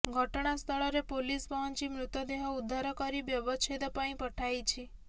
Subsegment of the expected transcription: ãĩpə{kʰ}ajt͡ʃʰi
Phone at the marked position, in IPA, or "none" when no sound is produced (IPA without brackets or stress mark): ʈʰ